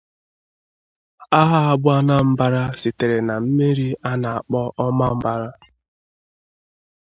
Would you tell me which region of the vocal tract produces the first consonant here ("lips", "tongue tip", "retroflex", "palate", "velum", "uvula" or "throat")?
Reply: throat